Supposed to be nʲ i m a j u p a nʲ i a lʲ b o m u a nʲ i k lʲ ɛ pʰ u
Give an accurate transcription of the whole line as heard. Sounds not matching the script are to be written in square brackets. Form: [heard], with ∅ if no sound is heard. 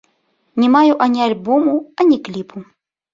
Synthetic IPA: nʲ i m a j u [ʔ] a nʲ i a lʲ b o m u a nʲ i k lʲ [i] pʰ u